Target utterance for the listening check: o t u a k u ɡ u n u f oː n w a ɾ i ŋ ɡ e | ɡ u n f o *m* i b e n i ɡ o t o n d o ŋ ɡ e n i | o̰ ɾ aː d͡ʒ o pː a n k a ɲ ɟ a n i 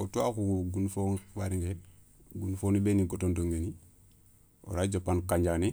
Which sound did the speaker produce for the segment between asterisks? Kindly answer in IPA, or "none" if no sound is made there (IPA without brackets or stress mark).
n